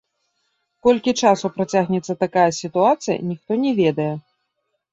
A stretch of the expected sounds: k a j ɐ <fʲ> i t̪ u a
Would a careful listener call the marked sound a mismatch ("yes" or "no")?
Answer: yes